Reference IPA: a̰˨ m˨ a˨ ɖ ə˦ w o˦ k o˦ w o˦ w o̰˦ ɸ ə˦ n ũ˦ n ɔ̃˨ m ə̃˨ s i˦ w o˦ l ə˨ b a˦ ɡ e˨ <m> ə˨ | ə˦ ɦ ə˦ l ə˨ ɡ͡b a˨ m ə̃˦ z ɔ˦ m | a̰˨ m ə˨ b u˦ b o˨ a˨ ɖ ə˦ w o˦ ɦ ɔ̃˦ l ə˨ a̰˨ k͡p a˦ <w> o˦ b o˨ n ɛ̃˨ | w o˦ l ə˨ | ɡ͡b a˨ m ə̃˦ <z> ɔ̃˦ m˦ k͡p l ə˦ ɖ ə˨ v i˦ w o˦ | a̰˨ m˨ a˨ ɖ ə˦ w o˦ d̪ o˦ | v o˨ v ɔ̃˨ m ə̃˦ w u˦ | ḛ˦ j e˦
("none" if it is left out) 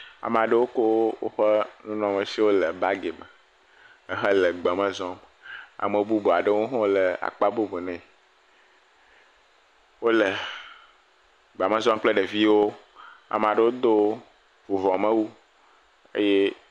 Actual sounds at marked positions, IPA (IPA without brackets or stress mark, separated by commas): m, b, z